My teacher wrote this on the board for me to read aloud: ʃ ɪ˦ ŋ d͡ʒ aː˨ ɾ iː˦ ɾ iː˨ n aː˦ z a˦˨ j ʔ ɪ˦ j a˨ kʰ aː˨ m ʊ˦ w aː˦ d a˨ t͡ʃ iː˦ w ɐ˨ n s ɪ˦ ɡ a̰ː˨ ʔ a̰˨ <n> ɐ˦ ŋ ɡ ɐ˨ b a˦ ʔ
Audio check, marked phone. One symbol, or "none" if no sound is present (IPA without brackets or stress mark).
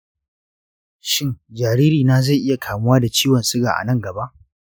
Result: n